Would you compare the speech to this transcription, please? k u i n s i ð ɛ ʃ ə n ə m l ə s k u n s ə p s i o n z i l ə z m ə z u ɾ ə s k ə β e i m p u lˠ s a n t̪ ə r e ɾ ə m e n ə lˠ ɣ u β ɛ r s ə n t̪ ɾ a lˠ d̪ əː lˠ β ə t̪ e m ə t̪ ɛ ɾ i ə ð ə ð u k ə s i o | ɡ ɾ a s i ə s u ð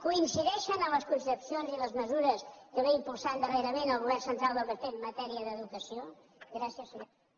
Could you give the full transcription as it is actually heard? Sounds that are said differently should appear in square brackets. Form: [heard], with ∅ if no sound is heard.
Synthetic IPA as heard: k u i n s i ð ɛ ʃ ə n ə m l ə s k u n s ə p s i o n z i l ə z m ə z u ɾ ə s k ə β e i m p u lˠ s a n [d̪] ə r e ɾ ə m e n ə lˠ ɣ u β ɛ r s ə n t̪ ɾ a lˠ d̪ [ə] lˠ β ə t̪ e m ə t̪ ɛ ɾ i ə ð ə ð u k ə s i o | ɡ ɾ a s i ə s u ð